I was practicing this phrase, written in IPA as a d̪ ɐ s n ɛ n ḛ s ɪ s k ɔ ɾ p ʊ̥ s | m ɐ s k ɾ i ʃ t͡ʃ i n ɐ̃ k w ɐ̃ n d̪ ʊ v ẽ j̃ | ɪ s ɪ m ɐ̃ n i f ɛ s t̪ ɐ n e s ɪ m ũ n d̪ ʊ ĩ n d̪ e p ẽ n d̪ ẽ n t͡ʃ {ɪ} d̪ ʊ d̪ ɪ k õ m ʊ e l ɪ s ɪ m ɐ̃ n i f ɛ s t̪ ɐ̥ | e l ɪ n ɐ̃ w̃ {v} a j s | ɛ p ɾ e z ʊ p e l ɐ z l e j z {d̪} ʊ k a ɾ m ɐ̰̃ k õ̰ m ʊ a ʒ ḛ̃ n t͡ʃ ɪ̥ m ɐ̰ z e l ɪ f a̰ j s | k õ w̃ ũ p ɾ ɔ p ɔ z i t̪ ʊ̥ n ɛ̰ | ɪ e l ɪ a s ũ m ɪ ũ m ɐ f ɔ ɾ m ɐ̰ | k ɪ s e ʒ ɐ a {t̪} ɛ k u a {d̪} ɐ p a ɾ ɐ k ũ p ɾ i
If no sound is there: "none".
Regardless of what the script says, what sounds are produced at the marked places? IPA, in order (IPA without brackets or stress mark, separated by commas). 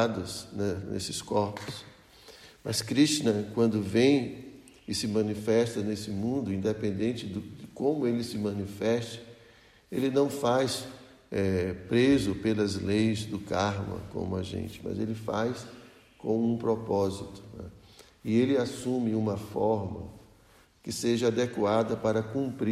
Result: ɪ, f, d̪, d̪, d̪